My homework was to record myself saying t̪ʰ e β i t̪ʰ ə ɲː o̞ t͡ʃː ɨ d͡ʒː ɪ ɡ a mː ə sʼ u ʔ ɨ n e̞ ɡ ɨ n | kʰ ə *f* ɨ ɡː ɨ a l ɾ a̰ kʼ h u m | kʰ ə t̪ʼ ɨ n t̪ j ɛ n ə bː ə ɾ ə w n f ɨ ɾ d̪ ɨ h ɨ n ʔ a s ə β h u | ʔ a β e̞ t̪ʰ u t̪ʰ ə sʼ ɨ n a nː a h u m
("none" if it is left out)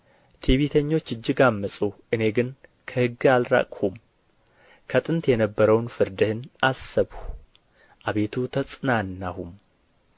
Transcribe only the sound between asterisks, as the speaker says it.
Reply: h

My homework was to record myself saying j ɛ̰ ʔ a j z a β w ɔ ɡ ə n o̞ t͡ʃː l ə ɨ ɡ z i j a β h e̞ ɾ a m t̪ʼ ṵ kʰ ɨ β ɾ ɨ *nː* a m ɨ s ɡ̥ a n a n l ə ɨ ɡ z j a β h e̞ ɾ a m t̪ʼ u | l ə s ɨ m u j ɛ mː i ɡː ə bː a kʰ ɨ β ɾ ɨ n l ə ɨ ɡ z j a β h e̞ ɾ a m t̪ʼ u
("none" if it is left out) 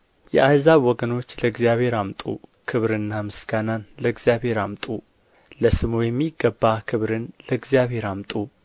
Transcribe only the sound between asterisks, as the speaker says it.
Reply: nː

